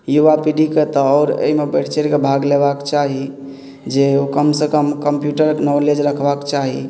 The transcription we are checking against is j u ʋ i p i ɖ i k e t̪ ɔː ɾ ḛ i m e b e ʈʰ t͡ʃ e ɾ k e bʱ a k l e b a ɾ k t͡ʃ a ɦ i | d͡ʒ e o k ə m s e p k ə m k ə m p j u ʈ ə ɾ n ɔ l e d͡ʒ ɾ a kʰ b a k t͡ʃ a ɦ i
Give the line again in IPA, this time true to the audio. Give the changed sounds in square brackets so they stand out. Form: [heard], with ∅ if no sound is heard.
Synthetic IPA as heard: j u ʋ [a] p i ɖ i k e t̪ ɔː ɾ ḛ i m e b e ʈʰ t͡ʃ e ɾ k e bʱ a [ɡ] l e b a [∅] k t͡ʃ a ɦ i | d͡ʒ e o k ə m s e [∅] k ə m k ə m p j u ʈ ə ɾ n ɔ l e d͡ʒ ɾ [ə] kʰ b a k t͡ʃ a ɦ i